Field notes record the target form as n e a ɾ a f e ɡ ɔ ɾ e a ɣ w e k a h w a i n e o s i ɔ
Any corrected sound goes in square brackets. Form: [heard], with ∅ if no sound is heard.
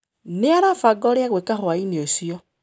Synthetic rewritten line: n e a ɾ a f [a] ɡ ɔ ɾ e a ɣ w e k a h w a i n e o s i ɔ